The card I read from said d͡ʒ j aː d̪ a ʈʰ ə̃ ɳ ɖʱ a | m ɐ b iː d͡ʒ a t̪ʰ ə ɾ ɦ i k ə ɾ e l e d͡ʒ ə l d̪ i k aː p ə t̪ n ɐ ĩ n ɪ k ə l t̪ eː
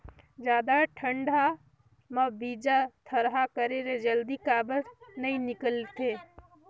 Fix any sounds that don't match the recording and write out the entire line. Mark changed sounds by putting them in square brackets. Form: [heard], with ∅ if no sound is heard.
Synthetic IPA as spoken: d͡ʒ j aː d̪ a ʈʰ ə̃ ɳ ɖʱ a | m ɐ b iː d͡ʒ a t̪ʰ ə ɾ ɦ [a] k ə ɾ e [ɾ] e d͡ʒ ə l d̪ i k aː [b] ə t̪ n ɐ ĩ n ɪ k ə l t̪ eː